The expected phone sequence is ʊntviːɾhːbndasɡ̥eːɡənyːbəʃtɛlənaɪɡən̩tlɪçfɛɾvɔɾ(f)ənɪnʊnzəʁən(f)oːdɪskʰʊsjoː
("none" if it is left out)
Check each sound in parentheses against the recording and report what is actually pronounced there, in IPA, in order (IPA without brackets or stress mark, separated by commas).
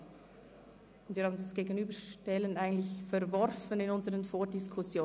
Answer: f, f